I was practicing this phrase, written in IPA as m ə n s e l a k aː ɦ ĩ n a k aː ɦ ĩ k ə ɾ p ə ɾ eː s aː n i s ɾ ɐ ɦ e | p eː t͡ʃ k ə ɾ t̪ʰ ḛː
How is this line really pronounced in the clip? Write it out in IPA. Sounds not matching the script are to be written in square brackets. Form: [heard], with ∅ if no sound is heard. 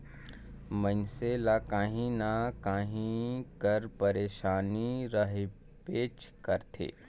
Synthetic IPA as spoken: m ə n s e l a k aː ɦ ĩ n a k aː ɦ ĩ k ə ɾ p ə ɾ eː [ʃ] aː n i [∅] ɾ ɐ ɦ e | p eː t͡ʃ k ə ɾ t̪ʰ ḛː

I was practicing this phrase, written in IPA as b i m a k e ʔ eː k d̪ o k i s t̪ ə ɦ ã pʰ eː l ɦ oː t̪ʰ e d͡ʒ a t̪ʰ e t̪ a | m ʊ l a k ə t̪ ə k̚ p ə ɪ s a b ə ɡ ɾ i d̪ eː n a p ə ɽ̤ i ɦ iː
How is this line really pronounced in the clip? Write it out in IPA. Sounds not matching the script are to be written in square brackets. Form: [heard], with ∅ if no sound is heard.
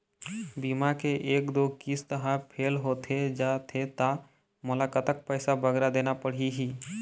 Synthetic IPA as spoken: b i m a k e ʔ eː k d̪ o k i s t̪ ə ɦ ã pʰ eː l ɦ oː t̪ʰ e d͡ʒ a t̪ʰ e t̪ a | m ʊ l a k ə t̪ ə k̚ p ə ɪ s a b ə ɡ ɾ [a] d̪ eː n a p ə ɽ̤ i ɦ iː

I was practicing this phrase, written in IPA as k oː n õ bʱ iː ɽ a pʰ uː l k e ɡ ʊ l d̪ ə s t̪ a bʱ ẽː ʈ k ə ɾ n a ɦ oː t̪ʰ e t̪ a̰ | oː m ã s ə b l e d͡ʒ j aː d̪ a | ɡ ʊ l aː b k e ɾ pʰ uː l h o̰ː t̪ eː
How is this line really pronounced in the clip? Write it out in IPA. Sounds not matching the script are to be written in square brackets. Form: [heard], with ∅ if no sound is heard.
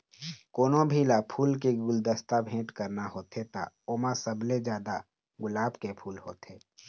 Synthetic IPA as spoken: k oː n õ bʱ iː [l] a pʰ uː l k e ɡ ʊ l d̪ ə s t̪ a bʱ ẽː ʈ k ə ɾ n a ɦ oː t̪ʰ e t̪ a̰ | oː m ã s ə b l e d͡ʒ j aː d̪ a | ɡ ʊ l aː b k e [∅] pʰ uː l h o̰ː t̪ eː

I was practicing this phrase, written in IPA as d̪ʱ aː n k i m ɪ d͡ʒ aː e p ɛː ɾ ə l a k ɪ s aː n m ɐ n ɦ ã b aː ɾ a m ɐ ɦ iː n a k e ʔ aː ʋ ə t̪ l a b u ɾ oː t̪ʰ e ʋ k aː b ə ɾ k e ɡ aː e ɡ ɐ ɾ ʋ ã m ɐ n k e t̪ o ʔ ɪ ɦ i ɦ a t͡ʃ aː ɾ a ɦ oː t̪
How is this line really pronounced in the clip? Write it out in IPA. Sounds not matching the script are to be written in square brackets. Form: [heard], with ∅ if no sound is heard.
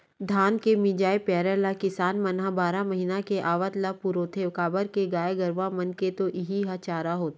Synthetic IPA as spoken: d̪ʱ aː n k [e] m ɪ d͡ʒ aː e p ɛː ɾ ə l a k ɪ s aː n m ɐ n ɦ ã b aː ɾ a m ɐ ɦ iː n a k e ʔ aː ʋ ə t̪ l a [p] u ɾ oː t̪ʰ e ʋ k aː b ə ɾ k e ɡ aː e ɡ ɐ ɾ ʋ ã m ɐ n k e t̪ o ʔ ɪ ɦ i ɦ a t͡ʃ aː ɾ a ɦ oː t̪

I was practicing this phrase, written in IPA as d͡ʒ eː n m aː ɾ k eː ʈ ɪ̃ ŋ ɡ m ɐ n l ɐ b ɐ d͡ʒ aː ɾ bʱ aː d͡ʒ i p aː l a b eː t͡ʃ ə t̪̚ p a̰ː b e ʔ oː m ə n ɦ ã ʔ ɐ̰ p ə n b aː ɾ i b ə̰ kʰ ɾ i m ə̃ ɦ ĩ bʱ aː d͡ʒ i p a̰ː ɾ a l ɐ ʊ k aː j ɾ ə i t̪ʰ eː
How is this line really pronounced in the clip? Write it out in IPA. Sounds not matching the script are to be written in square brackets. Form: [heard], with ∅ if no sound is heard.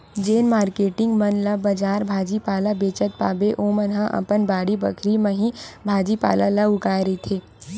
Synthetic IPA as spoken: d͡ʒ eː n m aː ɾ k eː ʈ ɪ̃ ŋ ɡ m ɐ n l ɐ b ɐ d͡ʒ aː ɾ bʱ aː d͡ʒ i p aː l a b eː t͡ʃ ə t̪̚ p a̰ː b e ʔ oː m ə n ɦ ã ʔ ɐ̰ p ə n b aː [ɽ] i b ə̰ kʰ ɾ i m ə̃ ɦ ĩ bʱ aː d͡ʒ i p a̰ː [l] a l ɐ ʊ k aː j ɾ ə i t̪ʰ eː

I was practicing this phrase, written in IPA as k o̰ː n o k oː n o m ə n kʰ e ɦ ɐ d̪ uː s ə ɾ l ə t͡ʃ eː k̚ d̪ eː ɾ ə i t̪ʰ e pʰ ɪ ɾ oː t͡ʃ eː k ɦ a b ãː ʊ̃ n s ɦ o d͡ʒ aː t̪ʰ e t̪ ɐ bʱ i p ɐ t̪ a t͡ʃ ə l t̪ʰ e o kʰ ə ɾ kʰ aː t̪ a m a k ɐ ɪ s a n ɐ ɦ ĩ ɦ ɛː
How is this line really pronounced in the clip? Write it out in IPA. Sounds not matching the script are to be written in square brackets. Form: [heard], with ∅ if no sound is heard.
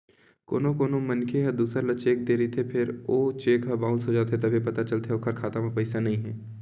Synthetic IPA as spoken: k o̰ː n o k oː n o m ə n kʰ e ɦ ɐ d̪ uː s ə ɾ l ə t͡ʃ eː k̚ d̪ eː ɾ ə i t̪ʰ e pʰ ɪ ɾ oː t͡ʃ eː k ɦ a b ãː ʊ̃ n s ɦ o d͡ʒ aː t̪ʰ e t̪ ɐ bʱ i p ɐ t̪ a t͡ʃ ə l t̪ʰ e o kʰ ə ɾ kʰ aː t̪ a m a [p] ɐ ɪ s a n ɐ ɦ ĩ ɦ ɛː

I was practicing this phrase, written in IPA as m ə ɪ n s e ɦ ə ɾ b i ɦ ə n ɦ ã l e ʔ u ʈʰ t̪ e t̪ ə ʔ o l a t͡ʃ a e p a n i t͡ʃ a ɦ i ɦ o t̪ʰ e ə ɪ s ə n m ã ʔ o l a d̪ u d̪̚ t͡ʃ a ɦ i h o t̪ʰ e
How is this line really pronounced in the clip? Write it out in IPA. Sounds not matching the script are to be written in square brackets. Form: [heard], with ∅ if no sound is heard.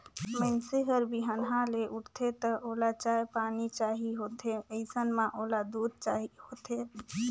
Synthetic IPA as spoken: m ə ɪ n s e ɦ ə ɾ b i ɦ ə n ɦ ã l e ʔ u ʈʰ [t̪ʰ] e t̪ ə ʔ o l a t͡ʃ a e p a n i t͡ʃ a ɦ i ɦ o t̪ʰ e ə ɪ s ə n m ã ʔ o l a d̪ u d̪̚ t͡ʃ a ɦ i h o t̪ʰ e

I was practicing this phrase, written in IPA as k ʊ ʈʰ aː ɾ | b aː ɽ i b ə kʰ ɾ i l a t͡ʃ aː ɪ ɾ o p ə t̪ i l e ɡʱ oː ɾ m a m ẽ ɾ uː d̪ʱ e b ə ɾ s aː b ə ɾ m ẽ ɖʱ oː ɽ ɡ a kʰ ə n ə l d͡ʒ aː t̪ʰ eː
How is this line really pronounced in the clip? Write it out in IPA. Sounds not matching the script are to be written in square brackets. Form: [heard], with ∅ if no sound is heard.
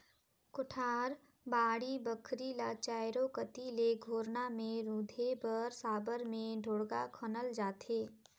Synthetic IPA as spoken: k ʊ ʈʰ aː ɾ | b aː ɽ i b ə kʰ ɾ i l a t͡ʃ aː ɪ ɾ o [k] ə t̪ i l e ɡʱ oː ɾ [n] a m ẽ ɾ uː d̪ʱ e b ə ɾ s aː b ə ɾ m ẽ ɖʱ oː ɽ ɡ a kʰ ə n ə l d͡ʒ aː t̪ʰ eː

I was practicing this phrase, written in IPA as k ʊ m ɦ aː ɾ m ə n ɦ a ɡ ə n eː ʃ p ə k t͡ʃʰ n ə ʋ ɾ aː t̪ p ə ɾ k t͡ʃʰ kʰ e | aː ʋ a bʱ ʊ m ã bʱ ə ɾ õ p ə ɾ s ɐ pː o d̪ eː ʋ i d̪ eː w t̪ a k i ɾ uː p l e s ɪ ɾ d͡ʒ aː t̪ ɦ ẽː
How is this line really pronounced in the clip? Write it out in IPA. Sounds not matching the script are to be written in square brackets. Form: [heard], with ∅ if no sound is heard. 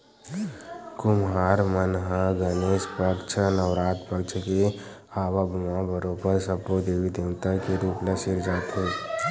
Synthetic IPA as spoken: k ʊ m ɦ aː ɾ m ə n ɦ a ɡ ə n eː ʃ p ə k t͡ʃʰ n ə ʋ ɾ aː t̪ p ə [∅] k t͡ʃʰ [k] e | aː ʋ a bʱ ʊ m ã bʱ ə ɾ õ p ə ɾ s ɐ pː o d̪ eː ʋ i d̪ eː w t̪ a k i ɾ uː p l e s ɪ ɾ d͡ʒ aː t̪ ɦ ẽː

